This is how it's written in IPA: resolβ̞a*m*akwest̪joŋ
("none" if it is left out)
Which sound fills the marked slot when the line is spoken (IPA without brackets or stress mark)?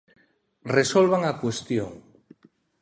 ŋ